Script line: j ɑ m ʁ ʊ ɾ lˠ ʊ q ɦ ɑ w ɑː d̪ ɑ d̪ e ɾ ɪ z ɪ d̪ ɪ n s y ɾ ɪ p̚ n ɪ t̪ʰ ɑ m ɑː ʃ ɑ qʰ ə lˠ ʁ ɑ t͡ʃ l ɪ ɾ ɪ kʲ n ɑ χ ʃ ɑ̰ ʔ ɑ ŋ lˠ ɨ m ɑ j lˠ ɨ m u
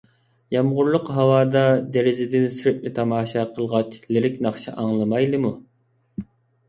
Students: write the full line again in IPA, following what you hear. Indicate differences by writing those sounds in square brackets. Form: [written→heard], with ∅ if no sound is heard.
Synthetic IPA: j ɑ m ʁ ʊ ɾ lˠ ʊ q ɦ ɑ w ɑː d̪ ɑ d̪ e ɾ ɪ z ɪ d̪ ɪ n s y ɾ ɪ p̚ n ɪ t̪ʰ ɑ m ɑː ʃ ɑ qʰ ə lˠ ʁ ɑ t͡ʃ l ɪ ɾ ɪ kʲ n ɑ χ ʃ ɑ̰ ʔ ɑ ŋ lˠ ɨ m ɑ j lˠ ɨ m u